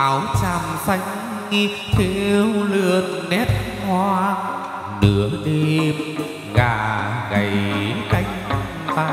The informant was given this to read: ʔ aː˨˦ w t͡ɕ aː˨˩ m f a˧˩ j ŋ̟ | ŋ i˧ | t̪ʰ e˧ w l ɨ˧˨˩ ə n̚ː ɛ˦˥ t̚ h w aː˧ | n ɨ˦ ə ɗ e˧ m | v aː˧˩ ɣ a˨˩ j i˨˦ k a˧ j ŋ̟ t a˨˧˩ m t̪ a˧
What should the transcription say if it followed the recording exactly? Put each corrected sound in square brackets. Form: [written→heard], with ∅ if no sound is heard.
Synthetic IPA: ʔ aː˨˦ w t͡ɕ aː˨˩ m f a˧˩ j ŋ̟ | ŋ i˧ | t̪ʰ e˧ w l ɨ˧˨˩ ə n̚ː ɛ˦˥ t̚ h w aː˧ | n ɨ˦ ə ɗ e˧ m | [v→ɣ] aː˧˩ ɣ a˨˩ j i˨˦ k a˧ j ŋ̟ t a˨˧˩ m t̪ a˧

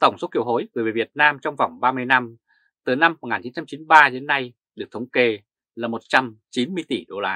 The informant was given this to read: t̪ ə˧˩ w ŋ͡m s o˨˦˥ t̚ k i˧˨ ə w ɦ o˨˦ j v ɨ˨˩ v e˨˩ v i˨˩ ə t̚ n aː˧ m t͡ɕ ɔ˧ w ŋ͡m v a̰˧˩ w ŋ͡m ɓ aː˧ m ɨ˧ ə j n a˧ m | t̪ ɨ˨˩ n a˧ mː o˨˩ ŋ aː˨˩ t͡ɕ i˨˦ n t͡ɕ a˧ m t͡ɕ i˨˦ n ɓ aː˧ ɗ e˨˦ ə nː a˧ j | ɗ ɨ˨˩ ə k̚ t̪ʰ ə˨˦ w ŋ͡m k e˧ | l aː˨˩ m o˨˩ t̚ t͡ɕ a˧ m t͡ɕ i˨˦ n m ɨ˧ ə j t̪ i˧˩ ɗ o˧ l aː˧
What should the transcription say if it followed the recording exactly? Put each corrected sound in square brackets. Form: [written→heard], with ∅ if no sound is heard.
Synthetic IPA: t̪ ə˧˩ w ŋ͡m s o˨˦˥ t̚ k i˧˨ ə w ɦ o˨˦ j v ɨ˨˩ v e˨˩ v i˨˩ ə t̚ n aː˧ m t͡ɕ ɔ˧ w ŋ͡m v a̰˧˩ w ŋ͡m ɓ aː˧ m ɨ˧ ə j n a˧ m | t̪ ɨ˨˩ n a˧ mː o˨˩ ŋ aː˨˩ t͡ɕ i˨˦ n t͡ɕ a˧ m t͡ɕ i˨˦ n ɓ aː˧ ɗ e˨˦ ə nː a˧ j | ɗ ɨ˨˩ ə k̚ t̪ʰ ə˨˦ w ŋ͡m k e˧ | l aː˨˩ m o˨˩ t̚ t͡ɕ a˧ m t͡ɕ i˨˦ n m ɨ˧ ə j t̪ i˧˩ ɗ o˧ l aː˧

